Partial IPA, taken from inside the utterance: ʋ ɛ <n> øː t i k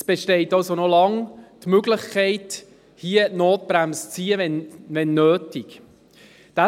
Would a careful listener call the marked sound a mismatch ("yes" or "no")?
yes